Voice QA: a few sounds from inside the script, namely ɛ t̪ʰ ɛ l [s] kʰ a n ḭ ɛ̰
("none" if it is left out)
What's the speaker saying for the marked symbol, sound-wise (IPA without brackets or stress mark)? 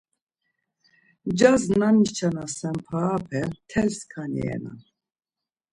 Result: s